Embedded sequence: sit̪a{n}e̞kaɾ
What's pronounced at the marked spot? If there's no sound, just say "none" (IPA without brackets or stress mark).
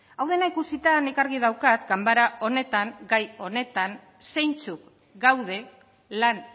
n